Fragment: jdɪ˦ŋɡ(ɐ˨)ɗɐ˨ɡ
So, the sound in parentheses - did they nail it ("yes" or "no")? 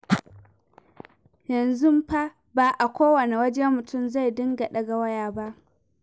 no